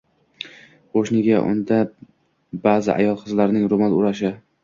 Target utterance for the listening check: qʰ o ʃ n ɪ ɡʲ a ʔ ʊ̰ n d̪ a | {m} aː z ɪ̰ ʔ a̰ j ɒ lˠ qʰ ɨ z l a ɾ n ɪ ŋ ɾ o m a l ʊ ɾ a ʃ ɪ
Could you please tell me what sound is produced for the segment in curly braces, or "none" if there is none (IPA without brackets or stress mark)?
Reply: b